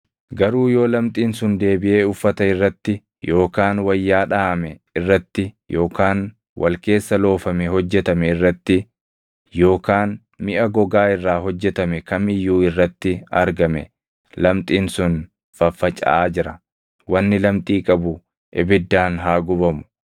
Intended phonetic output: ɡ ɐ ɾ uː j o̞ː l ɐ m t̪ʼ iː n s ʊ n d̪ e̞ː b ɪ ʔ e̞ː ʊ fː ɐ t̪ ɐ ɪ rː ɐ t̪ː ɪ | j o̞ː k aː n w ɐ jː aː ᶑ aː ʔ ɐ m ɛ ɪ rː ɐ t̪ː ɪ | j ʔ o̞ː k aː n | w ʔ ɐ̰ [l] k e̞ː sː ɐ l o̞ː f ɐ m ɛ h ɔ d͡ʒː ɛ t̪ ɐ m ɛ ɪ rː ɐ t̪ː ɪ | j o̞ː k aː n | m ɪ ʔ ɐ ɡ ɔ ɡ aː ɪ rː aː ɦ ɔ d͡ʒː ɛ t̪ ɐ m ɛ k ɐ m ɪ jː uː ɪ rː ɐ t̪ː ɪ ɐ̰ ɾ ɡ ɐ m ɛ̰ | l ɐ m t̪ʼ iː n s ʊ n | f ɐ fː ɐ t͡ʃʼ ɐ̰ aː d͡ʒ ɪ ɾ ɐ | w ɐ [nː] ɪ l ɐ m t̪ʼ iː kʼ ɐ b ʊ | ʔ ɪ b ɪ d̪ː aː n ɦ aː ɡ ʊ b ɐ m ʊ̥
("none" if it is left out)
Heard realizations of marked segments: l, nː

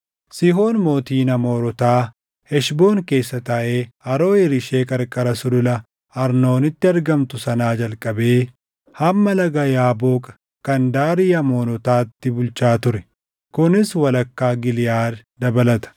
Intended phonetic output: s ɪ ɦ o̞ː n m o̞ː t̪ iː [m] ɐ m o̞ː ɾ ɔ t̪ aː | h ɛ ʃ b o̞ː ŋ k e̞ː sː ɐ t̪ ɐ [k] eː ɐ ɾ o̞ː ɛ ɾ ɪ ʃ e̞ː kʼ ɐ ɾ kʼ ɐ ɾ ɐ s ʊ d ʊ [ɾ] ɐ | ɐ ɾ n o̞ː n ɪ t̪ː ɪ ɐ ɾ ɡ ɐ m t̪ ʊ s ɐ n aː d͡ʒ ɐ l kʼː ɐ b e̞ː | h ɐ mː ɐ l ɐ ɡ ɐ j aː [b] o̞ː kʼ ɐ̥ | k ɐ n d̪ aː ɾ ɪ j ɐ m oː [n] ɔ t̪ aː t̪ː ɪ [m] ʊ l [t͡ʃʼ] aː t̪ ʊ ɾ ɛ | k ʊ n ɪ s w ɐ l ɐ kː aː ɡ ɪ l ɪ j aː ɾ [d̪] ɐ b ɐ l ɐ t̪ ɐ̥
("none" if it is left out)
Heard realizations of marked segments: n, ʔ, l, b, n, b, t͡ʃ, d̪

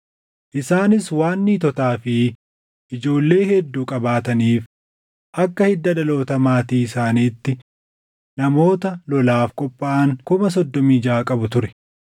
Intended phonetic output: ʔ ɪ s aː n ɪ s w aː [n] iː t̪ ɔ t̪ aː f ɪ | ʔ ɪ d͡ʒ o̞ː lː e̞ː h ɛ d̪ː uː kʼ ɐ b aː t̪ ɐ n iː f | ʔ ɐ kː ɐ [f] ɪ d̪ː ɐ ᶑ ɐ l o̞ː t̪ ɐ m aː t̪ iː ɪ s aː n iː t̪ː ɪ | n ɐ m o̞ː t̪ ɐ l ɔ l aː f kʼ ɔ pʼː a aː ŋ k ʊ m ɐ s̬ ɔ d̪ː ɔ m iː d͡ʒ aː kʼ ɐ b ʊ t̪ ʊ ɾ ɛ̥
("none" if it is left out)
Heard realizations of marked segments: nː, h

